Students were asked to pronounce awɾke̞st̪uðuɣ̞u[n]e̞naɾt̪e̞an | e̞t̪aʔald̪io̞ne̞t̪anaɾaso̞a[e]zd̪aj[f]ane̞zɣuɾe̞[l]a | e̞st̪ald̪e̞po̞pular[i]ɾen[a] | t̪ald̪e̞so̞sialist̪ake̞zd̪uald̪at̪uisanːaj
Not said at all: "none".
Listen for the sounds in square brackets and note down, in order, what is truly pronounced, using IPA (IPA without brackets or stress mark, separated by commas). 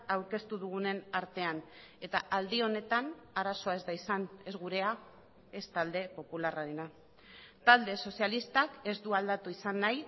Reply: n, e, s, none, a, a